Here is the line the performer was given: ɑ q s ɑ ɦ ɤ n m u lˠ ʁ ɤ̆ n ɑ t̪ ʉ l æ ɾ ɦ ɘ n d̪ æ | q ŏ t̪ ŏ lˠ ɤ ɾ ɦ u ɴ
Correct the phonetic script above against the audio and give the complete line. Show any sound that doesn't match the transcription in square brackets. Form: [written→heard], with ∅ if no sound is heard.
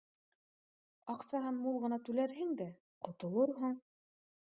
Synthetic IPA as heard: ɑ q s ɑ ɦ ɤ n m u lˠ ʁ ɤ̆ n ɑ t̪ ʉ l æ ɾ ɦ ɘ [n→ŋ] d̪ æ | q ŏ t̪ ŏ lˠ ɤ ɾ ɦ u ɴ